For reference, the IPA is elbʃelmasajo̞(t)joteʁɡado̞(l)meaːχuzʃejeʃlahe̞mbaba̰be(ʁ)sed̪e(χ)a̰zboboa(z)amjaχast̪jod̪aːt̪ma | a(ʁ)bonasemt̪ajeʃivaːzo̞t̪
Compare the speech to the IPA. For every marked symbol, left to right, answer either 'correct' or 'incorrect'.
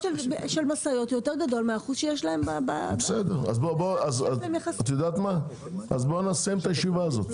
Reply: correct, correct, incorrect, incorrect, correct, incorrect

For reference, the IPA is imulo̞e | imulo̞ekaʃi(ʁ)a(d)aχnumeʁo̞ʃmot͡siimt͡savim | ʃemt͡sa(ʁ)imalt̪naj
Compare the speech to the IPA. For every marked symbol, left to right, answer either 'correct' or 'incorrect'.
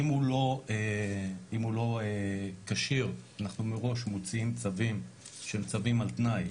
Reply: correct, incorrect, incorrect

